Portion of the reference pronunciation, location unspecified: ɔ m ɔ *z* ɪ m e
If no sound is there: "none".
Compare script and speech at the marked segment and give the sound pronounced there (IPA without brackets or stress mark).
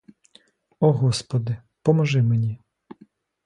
ʒ